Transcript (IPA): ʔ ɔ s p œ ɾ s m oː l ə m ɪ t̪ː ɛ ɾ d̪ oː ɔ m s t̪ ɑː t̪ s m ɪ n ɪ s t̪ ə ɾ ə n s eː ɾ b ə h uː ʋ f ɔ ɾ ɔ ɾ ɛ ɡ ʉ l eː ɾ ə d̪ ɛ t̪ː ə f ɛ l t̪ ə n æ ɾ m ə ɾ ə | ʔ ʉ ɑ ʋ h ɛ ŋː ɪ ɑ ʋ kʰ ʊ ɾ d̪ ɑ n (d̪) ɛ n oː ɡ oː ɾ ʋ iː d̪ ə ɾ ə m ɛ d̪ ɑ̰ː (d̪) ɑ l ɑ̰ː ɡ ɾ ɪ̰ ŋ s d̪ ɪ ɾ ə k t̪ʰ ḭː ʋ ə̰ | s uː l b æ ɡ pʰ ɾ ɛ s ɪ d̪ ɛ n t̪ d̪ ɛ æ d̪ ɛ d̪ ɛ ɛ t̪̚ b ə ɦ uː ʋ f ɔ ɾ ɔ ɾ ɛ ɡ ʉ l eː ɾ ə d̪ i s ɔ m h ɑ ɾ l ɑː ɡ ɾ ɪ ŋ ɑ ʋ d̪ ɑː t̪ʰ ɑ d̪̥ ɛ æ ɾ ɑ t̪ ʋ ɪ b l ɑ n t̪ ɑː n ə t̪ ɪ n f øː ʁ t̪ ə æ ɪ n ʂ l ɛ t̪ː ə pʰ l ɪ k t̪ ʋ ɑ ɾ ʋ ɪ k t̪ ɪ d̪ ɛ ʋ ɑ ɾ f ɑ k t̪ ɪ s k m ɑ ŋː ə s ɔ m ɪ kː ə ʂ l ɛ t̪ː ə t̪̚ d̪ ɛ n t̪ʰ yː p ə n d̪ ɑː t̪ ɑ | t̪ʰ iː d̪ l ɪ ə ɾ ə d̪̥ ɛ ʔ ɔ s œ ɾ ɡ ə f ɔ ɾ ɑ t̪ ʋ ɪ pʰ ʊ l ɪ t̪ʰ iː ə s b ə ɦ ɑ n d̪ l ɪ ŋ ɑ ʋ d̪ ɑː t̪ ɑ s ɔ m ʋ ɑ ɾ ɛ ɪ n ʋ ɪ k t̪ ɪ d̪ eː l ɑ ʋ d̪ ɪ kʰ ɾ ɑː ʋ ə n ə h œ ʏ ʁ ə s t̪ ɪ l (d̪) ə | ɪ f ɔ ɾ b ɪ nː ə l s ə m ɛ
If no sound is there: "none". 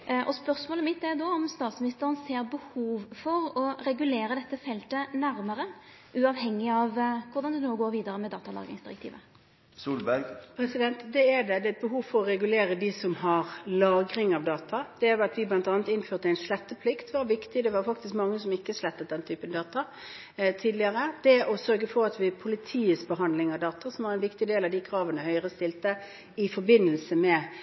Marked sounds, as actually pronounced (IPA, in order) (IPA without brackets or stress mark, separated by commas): d̪, t̪, t̪